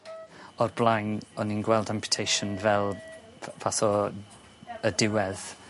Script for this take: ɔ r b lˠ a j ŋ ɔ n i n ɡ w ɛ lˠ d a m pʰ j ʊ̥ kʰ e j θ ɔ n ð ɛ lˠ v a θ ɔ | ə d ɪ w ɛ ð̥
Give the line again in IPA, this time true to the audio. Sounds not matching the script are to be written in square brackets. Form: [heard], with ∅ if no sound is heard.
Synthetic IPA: ɔ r b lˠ a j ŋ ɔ n i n ɡ w ɛ lˠ d a m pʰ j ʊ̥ [tʰ] e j [ʃ] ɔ n [v] ɛ lˠ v a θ ɔ | ə d ɪ w ɛ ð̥